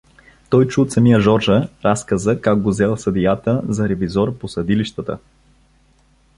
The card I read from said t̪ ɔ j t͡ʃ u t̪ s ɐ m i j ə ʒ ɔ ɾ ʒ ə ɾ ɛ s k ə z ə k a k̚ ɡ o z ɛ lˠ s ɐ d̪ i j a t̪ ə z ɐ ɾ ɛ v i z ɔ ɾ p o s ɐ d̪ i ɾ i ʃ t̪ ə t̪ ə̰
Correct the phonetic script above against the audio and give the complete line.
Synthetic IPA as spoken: t̪ ɔ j t͡ʃ u t̪ s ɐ m i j ə ʒ ɔ ɾ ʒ ə ɾ a s k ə z ə k a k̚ ɡ o z ɛ lˠ s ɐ d̪ i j a t̪ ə z ɐ ɾ ɛ v i z ɔ ɾ p o s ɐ d̪ i l i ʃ t̪ ə t̪ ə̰